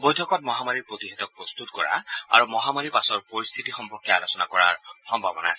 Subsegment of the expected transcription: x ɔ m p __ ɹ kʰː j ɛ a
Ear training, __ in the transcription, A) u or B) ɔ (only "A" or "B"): B